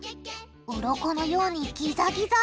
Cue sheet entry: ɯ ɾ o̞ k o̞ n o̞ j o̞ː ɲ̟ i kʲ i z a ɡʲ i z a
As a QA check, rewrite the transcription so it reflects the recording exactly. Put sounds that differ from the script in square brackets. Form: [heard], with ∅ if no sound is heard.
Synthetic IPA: ɯ ɾ o̞ k o̞ n o̞ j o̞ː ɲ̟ i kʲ i z a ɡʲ i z a